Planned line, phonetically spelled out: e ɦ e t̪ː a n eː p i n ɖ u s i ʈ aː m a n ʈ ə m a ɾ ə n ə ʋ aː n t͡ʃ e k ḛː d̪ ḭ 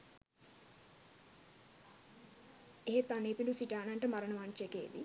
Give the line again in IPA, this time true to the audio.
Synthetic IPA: e ɦ e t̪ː a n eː p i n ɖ u s i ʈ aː n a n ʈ ə m a ɾ ə n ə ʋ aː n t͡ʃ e k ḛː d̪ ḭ

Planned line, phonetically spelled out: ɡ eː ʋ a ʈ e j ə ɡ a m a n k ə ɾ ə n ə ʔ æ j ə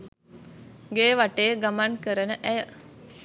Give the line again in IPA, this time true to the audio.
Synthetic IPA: ɡ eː ʋ a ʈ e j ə ɡ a m a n k ə ɾ ə n ə ʔ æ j ə

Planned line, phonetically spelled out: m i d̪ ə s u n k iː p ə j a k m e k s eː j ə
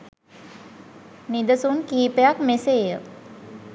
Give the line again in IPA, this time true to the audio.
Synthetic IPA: n i d̪ ə s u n k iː p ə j a k m e s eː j ə

